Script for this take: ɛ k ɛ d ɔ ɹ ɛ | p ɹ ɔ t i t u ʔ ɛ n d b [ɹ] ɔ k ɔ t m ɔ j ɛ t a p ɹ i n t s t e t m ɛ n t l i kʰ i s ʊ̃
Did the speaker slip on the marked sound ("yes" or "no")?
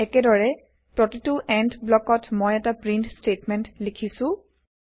yes